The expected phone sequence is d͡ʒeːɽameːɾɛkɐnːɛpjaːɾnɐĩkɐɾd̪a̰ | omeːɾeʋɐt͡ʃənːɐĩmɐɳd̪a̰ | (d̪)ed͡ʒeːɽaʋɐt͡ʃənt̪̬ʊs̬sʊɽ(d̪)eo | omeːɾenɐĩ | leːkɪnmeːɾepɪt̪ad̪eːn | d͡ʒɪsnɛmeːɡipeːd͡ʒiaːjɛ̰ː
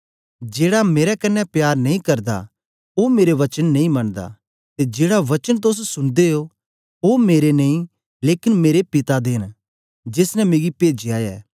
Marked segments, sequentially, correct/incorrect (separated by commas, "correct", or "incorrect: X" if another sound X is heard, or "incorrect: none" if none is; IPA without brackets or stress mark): incorrect: t̪, correct